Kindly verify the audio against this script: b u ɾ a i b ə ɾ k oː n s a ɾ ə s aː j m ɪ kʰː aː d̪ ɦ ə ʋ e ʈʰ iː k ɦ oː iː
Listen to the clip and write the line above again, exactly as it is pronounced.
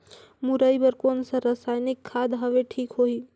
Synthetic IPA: m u ɾ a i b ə ɾ k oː n s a ɾ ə s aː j n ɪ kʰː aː d̪ ɦ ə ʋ e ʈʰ iː k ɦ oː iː